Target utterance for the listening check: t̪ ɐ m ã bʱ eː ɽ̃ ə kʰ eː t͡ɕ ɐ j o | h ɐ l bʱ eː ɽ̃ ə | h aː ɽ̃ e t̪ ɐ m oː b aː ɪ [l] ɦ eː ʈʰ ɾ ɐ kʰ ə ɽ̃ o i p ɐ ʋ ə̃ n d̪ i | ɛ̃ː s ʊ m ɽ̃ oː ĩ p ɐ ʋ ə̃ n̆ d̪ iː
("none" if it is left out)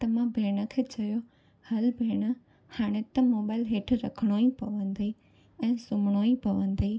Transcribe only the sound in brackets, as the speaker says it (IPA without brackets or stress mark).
l